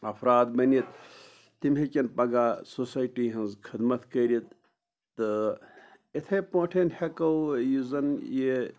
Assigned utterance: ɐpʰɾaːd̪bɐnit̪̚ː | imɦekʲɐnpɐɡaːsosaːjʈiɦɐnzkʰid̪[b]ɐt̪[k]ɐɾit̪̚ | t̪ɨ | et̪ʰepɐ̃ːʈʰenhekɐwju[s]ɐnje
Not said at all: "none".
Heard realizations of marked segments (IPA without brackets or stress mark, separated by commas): m, k, z